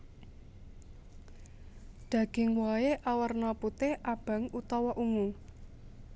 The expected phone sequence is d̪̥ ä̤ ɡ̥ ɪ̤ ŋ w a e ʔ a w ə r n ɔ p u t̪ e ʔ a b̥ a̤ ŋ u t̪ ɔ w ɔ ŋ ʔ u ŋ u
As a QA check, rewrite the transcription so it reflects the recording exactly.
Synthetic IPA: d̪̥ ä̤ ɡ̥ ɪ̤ ŋ w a e ʔ a w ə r n ɔ p u t̪ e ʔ a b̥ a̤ ŋ u t̪ ɔ w ɔ ʔ u ŋ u